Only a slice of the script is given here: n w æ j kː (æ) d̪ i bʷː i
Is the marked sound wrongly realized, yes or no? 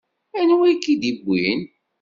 yes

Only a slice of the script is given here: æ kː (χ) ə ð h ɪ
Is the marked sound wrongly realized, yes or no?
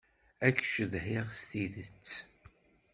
yes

